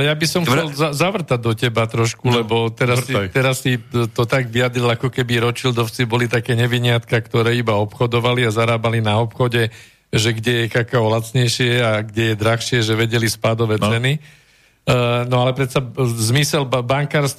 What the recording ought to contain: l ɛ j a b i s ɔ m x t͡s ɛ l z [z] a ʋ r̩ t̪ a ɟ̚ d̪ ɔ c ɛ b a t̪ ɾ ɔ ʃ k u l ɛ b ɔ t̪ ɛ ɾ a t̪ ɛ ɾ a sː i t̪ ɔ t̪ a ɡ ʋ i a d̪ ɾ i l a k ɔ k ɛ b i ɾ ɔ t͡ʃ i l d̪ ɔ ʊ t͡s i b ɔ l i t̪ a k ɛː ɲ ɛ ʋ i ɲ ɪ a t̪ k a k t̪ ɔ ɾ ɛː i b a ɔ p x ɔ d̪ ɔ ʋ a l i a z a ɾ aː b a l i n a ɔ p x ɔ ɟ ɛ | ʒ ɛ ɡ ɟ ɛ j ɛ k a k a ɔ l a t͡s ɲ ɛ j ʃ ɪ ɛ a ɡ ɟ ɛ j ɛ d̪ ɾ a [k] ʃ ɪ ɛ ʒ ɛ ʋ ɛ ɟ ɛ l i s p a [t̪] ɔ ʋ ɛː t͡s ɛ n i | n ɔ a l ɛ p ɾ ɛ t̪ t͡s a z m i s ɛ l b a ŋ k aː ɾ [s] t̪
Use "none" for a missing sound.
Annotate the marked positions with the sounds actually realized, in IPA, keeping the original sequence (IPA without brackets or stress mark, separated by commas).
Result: z, x, d̪, s